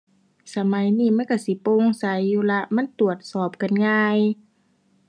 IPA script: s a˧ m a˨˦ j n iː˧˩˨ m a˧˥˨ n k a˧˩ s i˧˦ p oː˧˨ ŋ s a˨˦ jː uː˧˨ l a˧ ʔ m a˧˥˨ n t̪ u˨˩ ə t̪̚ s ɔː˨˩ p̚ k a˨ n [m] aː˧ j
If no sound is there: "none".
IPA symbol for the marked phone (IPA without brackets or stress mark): ŋ